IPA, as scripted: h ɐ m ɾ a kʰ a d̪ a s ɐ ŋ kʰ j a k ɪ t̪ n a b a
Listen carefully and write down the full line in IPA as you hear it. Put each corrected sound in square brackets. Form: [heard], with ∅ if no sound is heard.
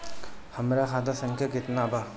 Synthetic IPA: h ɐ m ɾ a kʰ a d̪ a s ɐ ŋ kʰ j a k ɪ t̪ n a b a